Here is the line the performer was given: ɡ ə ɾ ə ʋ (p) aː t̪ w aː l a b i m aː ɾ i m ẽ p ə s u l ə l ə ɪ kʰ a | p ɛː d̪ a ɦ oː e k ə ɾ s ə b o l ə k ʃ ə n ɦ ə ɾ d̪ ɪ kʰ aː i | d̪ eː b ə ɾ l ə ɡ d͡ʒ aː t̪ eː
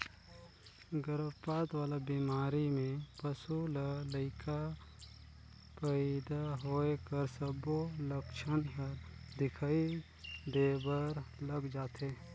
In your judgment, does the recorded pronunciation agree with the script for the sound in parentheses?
yes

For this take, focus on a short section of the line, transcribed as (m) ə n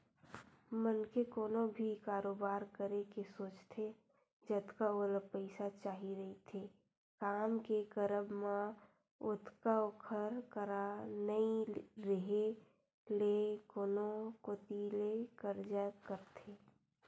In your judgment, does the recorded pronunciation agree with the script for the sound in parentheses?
yes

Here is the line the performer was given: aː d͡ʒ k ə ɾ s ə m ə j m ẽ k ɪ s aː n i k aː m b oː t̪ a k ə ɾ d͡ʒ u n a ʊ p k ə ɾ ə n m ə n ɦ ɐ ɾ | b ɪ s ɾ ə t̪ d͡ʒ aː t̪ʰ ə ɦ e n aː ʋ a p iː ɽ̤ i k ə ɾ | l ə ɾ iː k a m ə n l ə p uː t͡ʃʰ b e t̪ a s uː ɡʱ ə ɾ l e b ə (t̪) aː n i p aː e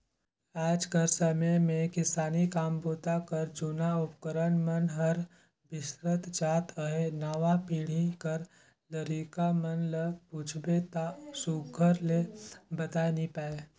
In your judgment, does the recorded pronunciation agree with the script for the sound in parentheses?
yes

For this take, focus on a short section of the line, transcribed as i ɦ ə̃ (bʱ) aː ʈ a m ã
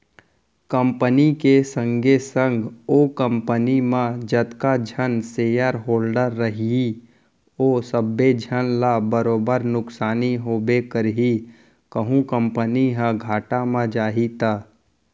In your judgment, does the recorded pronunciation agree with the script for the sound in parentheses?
no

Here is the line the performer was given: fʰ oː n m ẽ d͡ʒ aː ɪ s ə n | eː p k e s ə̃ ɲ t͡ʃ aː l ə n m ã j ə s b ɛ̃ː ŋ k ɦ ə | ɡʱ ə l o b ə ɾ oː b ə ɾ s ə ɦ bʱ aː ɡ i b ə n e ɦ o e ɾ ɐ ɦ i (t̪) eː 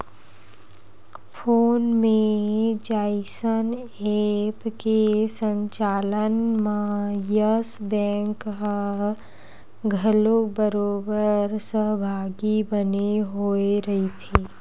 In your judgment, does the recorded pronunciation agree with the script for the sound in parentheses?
no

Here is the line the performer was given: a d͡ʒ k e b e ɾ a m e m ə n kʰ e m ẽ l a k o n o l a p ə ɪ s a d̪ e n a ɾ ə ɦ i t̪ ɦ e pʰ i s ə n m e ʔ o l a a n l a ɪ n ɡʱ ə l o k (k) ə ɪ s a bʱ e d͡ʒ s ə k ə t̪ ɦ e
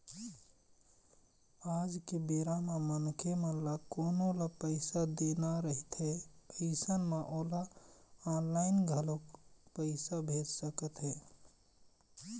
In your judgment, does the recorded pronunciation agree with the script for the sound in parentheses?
no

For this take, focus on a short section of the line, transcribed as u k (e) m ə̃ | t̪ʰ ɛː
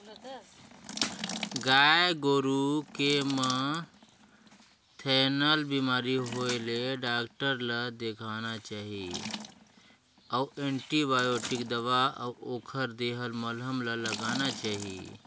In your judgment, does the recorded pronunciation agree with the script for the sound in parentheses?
yes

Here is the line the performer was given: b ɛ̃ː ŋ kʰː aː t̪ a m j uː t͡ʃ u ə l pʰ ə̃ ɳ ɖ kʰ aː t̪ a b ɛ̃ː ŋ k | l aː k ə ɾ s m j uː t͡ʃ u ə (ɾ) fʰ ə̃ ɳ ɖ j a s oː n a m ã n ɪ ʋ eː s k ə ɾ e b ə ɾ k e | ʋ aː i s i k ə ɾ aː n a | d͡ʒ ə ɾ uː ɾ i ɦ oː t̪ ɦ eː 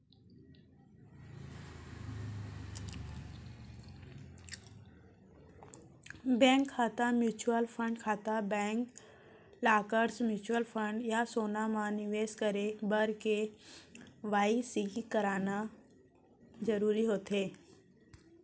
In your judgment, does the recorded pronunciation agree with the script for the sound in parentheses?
no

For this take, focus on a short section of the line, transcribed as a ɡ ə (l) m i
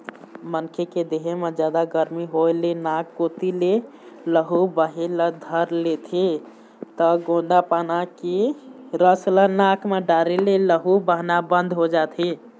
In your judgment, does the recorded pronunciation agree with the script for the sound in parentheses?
no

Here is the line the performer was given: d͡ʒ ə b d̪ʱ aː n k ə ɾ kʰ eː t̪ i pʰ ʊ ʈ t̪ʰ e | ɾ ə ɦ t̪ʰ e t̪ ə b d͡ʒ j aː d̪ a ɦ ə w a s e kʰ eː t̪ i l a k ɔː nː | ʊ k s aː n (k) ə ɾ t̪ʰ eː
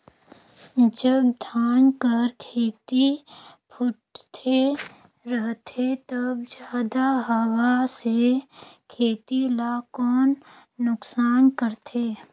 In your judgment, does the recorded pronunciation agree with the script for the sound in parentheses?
yes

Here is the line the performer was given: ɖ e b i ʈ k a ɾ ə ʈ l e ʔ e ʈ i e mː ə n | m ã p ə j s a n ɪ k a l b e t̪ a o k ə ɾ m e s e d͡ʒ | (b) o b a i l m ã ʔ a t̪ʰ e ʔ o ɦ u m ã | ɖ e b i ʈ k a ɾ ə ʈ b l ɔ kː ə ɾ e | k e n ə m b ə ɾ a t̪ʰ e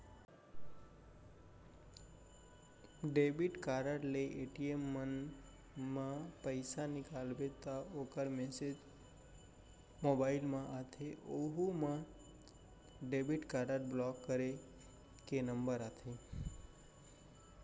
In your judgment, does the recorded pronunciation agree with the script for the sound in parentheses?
no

